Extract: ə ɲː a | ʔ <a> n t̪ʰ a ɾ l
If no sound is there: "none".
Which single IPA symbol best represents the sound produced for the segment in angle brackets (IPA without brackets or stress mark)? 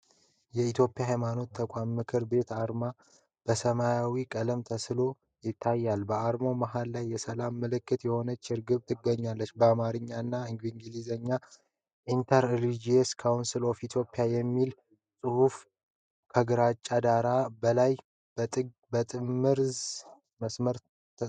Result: i